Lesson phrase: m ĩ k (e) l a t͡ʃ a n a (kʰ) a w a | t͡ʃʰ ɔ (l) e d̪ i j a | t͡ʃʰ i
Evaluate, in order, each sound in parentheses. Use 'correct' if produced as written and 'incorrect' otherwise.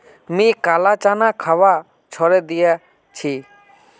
incorrect: a, correct, incorrect: ɾ

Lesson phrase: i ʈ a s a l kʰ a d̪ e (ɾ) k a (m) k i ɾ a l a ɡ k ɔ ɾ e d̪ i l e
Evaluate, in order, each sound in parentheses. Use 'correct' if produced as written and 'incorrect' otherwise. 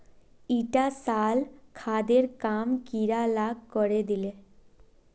correct, correct

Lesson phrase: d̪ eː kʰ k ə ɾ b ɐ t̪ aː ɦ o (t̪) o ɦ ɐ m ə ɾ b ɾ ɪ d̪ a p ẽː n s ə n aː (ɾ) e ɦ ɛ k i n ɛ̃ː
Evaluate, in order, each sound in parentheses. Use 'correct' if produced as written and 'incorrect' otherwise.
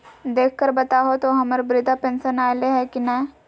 correct, incorrect: l

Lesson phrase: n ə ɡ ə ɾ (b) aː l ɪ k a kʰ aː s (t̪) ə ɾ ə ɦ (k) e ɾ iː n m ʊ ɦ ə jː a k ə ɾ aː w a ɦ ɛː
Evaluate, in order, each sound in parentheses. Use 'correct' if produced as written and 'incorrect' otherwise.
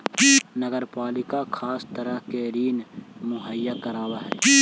incorrect: p, correct, correct

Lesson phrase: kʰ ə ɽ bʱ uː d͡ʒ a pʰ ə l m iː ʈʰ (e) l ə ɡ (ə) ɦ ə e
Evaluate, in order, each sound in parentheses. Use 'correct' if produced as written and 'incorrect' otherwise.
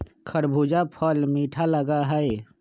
incorrect: a, incorrect: a

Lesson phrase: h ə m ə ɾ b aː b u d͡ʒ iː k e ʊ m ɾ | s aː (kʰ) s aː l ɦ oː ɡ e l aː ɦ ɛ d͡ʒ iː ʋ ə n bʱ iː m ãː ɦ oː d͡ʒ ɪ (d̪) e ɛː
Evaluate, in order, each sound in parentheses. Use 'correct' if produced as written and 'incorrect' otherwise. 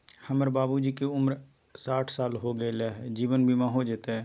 incorrect: ʈʰ, incorrect: t̪

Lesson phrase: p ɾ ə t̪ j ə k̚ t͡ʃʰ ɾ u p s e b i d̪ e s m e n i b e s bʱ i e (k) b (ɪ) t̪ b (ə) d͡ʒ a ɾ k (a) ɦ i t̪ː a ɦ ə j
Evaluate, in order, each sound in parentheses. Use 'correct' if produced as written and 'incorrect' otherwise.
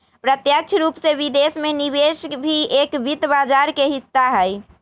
correct, incorrect: i, incorrect: a, incorrect: e

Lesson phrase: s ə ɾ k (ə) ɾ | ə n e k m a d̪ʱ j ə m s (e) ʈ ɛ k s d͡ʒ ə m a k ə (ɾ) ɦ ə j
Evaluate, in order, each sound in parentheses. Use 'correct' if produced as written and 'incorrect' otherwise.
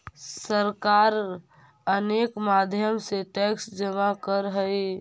incorrect: a, correct, correct

